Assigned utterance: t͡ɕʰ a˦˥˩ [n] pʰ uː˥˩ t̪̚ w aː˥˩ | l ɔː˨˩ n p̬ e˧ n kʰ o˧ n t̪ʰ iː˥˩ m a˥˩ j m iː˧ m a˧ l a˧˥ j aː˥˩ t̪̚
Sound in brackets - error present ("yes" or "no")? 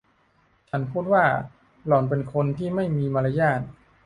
no